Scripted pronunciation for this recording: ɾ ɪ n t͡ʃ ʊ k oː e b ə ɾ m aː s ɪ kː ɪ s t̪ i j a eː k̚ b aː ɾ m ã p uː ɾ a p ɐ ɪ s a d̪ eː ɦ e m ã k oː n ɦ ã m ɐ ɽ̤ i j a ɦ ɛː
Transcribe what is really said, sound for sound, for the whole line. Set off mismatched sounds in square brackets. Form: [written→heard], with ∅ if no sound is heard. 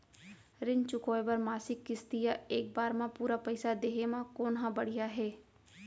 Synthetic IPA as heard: ɾ ɪ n t͡ʃ ʊ k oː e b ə ɾ m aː s ɪ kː ɪ s t̪ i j a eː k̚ b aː ɾ m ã p uː ɾ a p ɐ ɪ s a d̪ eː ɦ e m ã k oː n ɦ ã [m→b] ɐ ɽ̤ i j a ɦ ɛː